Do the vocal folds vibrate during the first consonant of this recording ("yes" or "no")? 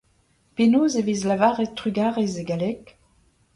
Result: no